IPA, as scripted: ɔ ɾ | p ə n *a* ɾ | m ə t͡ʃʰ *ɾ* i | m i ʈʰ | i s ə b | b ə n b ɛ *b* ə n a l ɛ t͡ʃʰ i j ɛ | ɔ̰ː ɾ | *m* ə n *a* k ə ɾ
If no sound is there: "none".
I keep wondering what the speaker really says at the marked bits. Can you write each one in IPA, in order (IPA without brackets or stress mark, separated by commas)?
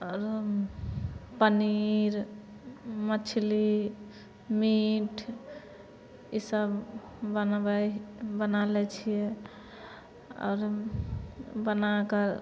i, l, b, b, a